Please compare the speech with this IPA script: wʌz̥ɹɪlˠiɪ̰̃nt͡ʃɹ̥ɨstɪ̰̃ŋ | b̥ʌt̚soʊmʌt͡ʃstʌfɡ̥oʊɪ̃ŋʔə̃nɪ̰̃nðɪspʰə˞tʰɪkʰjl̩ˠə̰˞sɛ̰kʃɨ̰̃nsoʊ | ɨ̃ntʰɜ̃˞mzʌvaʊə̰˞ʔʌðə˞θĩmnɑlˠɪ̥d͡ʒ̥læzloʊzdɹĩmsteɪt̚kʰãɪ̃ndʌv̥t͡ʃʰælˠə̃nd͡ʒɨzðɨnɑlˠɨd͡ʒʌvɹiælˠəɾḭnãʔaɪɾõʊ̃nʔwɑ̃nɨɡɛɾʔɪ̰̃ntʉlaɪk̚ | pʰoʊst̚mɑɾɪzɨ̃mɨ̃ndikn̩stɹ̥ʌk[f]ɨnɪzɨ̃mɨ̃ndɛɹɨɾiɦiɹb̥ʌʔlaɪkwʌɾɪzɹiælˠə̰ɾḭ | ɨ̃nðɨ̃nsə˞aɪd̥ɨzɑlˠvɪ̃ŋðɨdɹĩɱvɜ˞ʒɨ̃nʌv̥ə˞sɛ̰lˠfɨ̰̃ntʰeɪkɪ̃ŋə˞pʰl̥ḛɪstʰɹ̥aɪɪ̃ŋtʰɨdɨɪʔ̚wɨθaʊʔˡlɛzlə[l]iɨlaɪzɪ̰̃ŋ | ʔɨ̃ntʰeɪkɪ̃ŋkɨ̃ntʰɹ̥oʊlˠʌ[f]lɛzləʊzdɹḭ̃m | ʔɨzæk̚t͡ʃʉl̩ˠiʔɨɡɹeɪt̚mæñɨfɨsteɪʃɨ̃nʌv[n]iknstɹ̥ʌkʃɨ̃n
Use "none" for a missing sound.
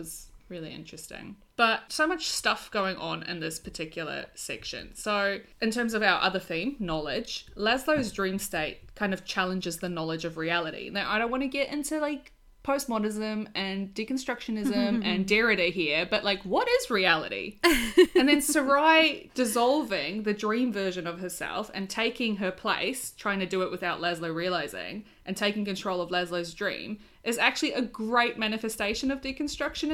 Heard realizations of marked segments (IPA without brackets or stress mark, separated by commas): ʃ, ɹ, v, d